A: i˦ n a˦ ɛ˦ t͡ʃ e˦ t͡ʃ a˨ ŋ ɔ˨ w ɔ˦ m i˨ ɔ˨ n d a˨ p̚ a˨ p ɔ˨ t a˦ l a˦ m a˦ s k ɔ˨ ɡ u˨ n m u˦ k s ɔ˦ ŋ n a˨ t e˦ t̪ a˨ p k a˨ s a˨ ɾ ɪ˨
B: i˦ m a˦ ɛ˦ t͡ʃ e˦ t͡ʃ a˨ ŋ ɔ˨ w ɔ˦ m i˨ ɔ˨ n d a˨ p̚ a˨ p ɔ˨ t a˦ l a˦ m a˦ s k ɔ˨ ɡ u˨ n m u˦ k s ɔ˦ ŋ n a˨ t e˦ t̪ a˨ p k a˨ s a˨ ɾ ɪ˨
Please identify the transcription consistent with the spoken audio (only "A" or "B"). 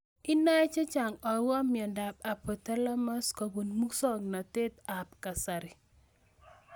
A